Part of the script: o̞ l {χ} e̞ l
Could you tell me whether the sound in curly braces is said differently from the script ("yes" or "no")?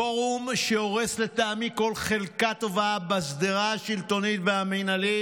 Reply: no